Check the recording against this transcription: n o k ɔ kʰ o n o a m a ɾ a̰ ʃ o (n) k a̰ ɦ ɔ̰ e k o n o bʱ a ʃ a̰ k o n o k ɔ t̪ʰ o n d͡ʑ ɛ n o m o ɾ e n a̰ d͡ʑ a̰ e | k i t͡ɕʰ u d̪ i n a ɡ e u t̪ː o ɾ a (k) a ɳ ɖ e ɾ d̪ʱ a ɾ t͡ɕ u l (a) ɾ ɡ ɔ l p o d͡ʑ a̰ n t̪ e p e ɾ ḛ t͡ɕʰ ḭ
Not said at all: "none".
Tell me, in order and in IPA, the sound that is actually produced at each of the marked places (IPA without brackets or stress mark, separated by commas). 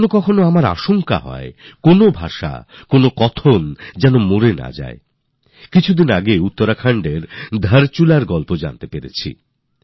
ŋ, kʰ, a